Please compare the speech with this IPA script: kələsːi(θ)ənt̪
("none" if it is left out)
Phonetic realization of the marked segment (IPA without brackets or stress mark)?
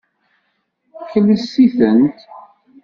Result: θ